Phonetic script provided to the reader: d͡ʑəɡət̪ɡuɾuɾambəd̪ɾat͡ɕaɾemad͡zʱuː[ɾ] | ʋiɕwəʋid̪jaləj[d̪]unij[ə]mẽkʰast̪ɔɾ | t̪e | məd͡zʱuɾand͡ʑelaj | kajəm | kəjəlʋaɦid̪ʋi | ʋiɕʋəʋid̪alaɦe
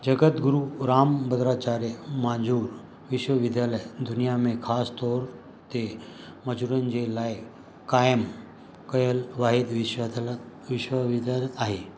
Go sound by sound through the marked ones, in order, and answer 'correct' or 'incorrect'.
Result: correct, correct, incorrect: a

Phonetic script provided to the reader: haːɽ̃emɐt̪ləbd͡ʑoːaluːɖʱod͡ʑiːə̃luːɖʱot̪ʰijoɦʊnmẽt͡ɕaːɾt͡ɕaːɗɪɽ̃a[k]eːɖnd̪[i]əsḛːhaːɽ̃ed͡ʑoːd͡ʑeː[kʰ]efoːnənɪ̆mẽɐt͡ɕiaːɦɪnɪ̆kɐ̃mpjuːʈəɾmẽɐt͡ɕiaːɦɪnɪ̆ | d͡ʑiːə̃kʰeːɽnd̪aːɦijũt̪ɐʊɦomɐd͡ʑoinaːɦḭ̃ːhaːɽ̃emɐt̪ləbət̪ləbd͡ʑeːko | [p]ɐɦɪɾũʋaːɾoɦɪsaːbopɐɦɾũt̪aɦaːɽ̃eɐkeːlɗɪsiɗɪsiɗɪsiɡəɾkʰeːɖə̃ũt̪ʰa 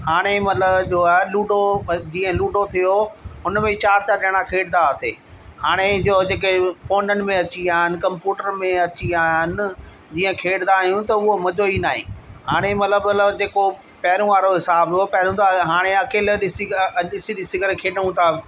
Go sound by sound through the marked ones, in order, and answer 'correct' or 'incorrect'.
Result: incorrect: kʰ, incorrect: a, incorrect: k, correct

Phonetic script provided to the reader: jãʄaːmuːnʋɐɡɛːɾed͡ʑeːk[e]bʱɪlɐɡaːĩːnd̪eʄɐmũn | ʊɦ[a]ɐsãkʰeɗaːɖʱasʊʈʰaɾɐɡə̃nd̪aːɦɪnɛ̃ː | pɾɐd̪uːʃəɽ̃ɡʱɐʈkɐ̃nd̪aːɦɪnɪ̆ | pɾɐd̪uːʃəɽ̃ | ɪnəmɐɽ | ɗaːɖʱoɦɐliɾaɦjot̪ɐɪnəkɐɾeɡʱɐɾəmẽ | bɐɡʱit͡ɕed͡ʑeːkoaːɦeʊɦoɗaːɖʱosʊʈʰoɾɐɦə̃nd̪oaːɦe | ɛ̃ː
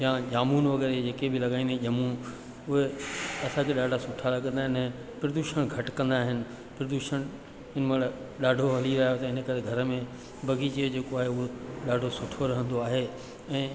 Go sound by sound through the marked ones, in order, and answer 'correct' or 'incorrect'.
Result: correct, incorrect: e

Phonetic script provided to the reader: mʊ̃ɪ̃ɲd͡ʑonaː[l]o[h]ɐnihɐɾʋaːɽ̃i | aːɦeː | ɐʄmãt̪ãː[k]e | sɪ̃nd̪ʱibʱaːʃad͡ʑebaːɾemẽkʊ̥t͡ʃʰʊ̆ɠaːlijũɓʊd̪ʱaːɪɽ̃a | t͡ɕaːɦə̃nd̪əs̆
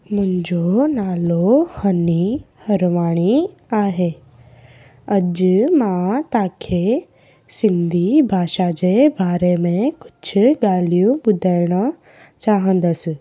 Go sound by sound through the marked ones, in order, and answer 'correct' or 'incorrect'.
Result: correct, correct, incorrect: kʰ

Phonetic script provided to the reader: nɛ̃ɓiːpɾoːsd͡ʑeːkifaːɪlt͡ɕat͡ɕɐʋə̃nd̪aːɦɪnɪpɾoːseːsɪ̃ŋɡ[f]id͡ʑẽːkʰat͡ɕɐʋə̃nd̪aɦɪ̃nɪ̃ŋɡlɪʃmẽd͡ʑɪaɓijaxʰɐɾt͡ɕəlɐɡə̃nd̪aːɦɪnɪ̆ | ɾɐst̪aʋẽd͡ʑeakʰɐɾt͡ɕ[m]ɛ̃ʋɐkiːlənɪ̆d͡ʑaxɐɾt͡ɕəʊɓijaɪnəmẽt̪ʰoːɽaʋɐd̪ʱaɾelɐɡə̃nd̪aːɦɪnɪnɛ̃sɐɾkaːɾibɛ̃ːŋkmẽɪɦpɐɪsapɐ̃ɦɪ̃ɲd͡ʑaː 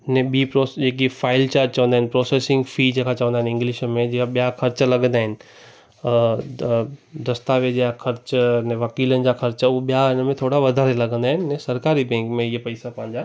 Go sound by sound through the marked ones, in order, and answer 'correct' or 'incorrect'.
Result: correct, incorrect: n

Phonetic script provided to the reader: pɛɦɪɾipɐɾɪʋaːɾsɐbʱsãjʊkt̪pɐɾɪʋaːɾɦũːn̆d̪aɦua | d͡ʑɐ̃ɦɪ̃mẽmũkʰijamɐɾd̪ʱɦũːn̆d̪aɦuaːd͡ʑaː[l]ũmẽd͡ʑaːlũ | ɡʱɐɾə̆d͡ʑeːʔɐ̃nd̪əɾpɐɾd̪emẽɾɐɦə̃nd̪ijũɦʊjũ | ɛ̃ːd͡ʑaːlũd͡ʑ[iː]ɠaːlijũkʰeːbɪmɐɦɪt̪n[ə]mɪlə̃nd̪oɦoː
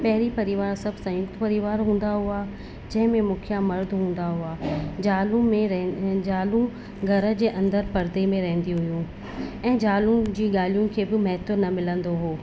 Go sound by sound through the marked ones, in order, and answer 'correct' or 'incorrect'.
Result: correct, correct, incorrect: ɐ

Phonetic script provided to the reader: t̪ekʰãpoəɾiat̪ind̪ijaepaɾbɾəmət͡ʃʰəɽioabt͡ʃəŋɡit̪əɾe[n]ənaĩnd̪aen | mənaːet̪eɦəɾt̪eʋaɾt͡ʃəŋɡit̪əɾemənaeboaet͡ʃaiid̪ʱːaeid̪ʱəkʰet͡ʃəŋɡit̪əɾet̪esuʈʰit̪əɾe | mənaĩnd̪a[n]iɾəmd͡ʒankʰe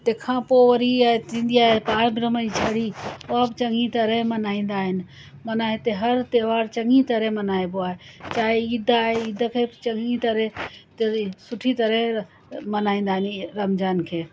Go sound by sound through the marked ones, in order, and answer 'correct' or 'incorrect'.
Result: incorrect: m, correct

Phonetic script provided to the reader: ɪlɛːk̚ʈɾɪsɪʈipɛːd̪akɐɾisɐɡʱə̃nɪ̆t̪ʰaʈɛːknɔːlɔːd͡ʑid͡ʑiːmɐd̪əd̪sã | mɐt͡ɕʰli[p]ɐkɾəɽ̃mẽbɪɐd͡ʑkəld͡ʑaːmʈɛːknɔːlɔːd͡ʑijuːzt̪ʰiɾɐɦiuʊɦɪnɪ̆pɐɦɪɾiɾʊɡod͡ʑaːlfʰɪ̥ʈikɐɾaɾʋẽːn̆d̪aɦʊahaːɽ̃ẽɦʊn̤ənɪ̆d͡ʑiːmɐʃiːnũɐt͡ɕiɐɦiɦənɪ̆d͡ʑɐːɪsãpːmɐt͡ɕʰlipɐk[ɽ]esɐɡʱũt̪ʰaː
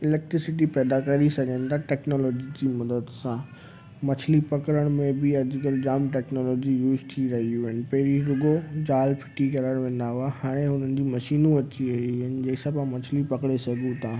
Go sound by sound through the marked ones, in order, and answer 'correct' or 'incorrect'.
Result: correct, correct

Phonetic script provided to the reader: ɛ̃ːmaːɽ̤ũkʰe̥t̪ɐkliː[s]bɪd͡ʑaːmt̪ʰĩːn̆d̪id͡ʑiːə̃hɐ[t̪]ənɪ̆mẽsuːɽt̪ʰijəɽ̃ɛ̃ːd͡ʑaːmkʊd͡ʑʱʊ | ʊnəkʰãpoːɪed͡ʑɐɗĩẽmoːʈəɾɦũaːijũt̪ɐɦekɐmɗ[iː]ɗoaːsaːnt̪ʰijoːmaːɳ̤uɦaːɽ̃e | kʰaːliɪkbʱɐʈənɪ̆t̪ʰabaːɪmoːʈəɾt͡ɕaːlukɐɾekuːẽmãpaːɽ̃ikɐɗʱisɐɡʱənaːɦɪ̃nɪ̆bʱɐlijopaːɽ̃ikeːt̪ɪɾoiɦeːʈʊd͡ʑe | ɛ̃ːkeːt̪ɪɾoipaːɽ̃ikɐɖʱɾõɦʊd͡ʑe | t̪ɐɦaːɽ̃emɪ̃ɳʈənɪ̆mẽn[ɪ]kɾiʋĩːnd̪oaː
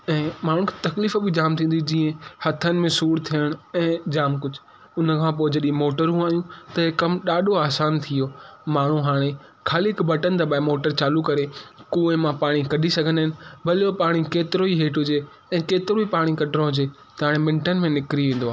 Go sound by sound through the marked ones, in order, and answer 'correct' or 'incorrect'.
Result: incorrect: f, incorrect: t̪ʰ, incorrect: aː, correct

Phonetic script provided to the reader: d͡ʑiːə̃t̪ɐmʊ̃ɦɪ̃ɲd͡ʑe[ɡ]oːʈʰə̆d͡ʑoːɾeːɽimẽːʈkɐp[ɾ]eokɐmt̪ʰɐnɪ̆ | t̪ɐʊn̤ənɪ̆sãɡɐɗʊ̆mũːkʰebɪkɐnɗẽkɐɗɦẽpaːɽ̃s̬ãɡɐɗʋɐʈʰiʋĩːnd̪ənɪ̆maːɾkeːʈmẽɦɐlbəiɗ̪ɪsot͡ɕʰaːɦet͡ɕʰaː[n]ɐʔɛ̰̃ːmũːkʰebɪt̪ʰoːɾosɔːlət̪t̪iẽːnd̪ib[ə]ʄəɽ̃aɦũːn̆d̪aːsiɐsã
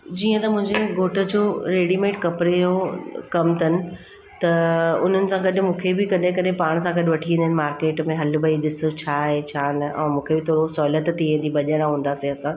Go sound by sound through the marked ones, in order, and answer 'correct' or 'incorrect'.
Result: correct, correct, correct, incorrect: ɐ

